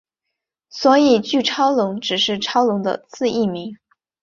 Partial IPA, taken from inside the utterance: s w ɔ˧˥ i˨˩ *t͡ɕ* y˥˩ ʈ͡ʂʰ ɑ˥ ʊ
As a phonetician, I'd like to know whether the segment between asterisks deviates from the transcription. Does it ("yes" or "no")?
no